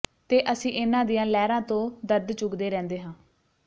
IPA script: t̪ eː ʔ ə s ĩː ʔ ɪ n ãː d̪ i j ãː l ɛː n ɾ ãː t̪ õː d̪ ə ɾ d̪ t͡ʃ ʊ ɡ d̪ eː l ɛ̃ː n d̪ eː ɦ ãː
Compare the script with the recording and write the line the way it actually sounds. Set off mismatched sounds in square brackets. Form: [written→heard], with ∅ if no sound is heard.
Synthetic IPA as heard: t̪ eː ʔ ə s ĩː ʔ ɪ n ãː d̪ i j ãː l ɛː [n→∅] ɾ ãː t̪ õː d̪ ə ɾ d̪ t͡ʃ ʊ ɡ d̪ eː [l→ɾ] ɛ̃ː n d̪ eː ɦ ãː